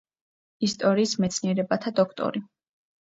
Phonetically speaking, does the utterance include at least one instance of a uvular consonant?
no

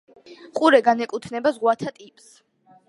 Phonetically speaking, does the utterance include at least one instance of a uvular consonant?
yes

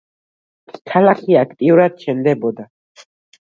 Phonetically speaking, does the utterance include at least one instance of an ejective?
yes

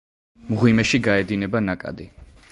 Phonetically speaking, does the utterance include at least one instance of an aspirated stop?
no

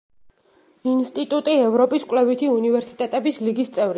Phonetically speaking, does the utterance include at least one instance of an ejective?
yes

